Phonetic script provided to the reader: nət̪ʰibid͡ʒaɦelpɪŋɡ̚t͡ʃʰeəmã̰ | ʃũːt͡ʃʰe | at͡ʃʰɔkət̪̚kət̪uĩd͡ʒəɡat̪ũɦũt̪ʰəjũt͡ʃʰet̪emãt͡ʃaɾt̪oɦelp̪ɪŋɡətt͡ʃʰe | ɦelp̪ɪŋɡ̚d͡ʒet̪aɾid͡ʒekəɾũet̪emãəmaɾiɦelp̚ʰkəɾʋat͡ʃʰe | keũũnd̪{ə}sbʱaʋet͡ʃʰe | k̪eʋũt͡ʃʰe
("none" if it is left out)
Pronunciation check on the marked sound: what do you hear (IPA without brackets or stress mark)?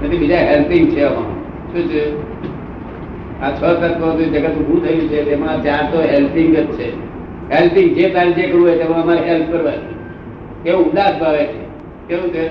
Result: a